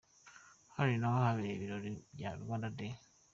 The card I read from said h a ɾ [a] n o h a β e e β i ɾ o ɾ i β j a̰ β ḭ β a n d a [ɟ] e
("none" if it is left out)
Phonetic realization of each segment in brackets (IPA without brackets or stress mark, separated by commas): i, d